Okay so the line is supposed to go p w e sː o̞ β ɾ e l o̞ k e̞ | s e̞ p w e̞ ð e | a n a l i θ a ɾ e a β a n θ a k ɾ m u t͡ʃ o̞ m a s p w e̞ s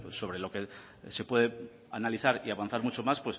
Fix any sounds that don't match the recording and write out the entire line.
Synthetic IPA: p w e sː o̞ β ɾ e l o̞ k e̞ | s e̞ p w e̞ ð e | a n a l i θ a ɾ i a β a n θ a ɾ m u t͡ʃ o̞ m a s p w e̞ s